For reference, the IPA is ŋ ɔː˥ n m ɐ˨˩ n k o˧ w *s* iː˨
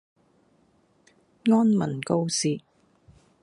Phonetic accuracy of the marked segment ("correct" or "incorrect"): correct